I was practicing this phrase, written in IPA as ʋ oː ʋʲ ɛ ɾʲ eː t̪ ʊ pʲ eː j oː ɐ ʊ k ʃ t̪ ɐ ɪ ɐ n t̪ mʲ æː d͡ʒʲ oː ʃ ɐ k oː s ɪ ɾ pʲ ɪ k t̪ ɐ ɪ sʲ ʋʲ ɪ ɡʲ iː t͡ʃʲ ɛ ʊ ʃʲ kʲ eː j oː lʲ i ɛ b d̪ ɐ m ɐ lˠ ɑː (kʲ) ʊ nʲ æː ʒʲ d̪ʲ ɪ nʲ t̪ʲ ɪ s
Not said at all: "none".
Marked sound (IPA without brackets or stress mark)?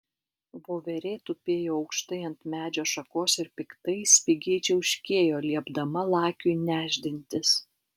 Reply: kʲ